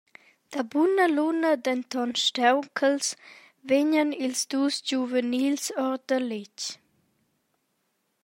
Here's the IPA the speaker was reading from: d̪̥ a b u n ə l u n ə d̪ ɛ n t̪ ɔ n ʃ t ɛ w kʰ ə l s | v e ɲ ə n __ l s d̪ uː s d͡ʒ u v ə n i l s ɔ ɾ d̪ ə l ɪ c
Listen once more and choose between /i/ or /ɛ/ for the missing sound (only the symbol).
i